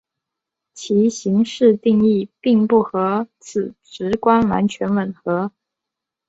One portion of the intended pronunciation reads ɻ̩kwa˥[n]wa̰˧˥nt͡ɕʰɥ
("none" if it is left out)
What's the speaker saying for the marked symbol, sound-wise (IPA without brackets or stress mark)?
n